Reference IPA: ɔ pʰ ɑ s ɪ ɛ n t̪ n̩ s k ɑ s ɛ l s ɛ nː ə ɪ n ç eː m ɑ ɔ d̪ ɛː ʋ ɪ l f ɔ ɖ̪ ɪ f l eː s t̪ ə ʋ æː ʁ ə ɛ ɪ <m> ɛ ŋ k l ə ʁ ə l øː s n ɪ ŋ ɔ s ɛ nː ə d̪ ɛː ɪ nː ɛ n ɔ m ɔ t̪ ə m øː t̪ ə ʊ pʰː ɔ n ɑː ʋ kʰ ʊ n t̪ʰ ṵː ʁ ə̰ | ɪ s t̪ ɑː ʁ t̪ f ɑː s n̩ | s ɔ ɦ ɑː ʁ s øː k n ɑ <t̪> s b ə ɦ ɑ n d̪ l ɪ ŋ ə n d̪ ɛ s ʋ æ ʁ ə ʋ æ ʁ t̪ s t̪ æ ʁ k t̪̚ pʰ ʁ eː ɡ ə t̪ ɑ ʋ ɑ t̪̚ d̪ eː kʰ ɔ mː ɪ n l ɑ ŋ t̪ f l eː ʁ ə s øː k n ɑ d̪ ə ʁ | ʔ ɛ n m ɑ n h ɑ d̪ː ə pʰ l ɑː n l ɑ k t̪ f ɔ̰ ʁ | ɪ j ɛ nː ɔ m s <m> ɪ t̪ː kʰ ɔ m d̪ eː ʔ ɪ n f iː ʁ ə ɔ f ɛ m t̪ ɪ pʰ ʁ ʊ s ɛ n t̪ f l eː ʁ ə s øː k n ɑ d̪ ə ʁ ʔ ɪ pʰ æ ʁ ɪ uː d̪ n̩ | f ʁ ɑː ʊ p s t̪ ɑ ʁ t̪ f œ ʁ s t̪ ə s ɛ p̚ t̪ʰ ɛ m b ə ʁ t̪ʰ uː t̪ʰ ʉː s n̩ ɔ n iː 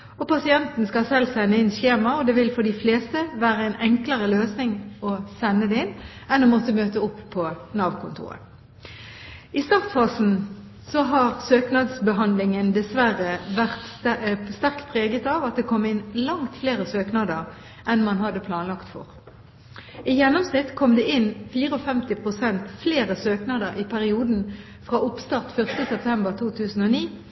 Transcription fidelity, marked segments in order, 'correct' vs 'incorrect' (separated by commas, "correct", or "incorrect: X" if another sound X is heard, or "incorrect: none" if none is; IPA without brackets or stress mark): incorrect: n, incorrect: d̪, incorrect: n